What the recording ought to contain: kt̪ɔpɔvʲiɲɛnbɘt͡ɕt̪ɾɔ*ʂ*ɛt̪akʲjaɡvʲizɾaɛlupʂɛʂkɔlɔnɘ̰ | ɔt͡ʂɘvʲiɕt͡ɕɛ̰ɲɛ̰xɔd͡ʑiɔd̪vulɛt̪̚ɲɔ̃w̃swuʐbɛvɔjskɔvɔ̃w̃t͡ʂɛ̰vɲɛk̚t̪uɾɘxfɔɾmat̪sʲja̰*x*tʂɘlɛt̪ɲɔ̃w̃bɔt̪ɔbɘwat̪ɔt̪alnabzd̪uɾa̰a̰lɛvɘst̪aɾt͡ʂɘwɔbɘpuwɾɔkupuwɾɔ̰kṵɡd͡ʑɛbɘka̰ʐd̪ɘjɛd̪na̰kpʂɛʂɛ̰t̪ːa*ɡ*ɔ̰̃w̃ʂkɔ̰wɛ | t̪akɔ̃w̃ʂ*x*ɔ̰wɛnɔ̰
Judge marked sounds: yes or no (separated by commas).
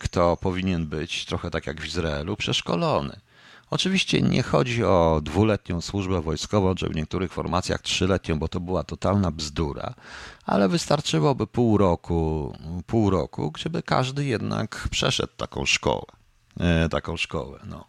no, yes, no, no